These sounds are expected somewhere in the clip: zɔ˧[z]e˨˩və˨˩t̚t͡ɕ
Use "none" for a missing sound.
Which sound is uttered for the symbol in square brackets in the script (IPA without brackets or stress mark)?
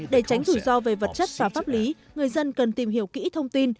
v